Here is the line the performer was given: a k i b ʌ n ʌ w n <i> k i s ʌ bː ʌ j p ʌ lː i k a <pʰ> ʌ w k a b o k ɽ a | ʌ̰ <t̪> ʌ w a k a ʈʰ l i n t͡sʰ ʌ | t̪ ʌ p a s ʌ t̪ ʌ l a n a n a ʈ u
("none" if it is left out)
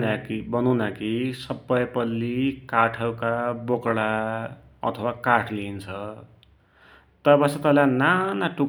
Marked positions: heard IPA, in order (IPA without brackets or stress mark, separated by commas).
a, ʈʰ, t̪ʰ